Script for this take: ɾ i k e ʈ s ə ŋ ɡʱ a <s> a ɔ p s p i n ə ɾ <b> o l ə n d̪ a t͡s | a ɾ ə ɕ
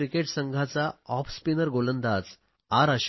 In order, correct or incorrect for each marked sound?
incorrect: t͡s, incorrect: ɡ

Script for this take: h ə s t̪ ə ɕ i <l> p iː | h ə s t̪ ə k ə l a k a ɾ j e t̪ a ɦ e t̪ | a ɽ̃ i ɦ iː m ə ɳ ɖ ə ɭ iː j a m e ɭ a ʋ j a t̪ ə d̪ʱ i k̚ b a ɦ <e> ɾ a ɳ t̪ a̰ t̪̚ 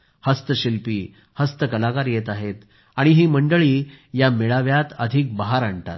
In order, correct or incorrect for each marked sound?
correct, incorrect: a

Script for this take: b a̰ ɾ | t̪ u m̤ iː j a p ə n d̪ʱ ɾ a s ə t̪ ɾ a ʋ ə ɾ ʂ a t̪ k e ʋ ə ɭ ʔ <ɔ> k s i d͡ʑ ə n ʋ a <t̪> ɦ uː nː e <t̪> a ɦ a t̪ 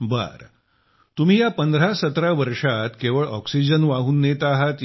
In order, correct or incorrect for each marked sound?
correct, incorrect: none, correct

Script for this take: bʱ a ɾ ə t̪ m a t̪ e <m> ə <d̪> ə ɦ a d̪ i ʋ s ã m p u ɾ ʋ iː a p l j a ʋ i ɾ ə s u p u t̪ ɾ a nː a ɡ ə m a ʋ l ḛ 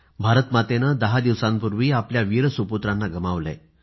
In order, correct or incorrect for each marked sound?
incorrect: n, correct

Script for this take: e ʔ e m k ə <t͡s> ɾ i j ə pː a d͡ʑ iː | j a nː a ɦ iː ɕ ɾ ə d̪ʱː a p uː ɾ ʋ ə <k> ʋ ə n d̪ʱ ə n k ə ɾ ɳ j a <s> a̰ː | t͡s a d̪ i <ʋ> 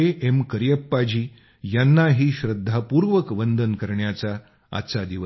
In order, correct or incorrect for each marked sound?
incorrect: none, correct, incorrect: t͡s, correct

